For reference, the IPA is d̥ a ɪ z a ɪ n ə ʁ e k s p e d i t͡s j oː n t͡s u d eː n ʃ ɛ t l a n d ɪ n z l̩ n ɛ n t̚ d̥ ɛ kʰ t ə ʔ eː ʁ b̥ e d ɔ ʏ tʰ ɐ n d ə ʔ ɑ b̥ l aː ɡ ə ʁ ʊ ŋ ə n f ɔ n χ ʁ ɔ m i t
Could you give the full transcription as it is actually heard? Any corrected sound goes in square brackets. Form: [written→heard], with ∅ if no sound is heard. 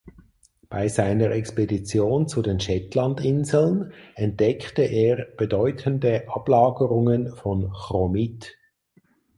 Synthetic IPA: [d̥→b̥] a ɪ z a ɪ n ə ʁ [e→ɛ] k s p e d i t͡s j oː n t͡s u d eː n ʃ ɛ t l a n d ɪ n z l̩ n ɛ n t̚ d̥ ɛ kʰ t ə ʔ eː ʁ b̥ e d ɔ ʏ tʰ [ɐ→ə] n d ə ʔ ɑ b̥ l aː ɡ ə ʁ ʊ ŋ ə n f ɔ n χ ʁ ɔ m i t